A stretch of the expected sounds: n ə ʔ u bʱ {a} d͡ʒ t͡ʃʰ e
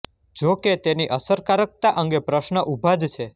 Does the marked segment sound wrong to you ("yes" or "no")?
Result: no